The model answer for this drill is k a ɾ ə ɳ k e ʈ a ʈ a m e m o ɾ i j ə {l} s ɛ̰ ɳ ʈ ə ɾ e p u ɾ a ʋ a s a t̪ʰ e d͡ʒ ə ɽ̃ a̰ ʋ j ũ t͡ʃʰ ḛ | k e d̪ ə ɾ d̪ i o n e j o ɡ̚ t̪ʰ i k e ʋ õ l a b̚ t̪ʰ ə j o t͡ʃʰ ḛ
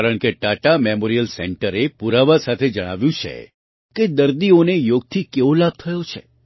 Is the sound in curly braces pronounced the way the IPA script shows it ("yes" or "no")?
yes